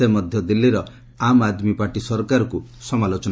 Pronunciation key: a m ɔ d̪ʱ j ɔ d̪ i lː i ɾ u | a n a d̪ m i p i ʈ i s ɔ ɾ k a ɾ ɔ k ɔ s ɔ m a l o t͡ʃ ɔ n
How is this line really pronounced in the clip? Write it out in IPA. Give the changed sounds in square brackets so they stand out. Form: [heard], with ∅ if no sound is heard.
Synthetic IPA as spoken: [e] m ɔ d̪ʱ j ɔ d̪ i lː i ɾ [ɔ] | a [m] a d̪ m i p [a] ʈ i s ɔ ɾ k a ɾ ɔ k [u] s ɔ m a l o t͡ʃ ɔ n